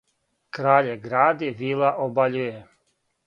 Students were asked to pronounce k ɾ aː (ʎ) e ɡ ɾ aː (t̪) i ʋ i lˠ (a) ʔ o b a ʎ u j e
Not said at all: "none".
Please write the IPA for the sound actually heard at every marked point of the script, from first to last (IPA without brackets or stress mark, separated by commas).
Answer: ʎ, d̪, a